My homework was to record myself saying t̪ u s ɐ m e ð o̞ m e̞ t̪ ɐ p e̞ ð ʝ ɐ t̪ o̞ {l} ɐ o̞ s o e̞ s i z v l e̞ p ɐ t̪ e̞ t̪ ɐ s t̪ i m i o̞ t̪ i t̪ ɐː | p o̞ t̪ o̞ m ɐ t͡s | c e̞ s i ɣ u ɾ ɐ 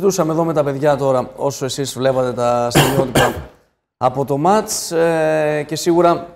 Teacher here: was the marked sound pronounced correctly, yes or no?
no